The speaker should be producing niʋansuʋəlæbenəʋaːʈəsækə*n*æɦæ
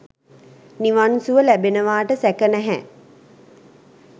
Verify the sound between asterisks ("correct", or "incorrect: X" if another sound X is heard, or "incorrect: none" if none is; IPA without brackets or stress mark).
correct